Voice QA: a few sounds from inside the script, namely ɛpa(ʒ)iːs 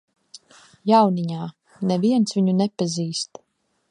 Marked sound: incorrect: z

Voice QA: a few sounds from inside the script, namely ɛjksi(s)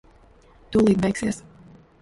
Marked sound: correct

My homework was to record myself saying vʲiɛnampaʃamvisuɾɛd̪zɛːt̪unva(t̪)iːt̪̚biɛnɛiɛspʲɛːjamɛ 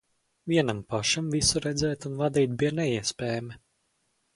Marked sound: incorrect: d̪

